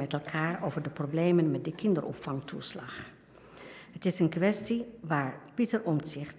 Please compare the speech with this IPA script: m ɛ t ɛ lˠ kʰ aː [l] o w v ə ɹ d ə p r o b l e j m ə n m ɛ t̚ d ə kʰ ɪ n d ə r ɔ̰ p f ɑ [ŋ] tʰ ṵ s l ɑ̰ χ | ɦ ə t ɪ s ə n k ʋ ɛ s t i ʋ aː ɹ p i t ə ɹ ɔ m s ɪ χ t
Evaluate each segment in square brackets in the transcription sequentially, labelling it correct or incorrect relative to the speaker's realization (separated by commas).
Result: incorrect, correct